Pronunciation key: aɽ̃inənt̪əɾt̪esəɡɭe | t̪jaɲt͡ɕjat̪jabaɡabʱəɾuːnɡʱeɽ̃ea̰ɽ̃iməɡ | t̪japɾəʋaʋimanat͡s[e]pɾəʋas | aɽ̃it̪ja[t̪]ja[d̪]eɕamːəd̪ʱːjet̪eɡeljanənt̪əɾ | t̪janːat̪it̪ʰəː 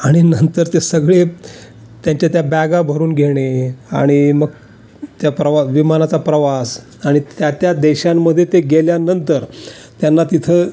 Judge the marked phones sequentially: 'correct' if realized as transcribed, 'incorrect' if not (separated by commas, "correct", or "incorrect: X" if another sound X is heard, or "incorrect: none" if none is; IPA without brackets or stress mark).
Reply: incorrect: a, correct, correct